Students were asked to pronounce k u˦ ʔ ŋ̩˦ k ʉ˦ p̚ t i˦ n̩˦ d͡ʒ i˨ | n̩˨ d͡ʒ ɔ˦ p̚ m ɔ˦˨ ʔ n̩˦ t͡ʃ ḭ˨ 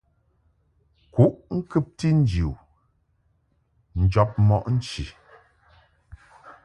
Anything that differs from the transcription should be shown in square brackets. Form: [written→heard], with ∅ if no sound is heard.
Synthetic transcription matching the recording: k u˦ ʔ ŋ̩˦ k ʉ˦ p̚ t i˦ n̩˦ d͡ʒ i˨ | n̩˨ d͡ʒ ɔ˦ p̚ m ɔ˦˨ ʔ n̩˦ t͡ʃ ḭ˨